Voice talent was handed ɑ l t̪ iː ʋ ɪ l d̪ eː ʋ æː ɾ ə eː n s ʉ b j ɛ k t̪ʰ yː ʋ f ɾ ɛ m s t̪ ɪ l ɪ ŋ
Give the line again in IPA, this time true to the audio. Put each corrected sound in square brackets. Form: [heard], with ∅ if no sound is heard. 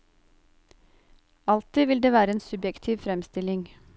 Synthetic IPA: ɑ l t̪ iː ʋ ɪ l d̪ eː ʋ æː ɾ ə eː n s ʉ b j ɛ k t̪ʰ [iː] ʋ f ɾ ɛ m s t̪ ɪ l ɪ ŋ